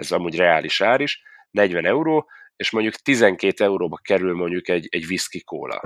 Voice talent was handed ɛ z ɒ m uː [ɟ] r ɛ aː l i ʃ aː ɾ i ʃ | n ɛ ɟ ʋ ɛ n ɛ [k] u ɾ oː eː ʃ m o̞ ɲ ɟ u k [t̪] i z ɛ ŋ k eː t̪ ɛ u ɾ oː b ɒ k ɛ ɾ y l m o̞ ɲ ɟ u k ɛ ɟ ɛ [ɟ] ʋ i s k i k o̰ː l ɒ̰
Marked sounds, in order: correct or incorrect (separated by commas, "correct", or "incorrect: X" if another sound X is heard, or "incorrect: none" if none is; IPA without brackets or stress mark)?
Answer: correct, incorrect: none, correct, correct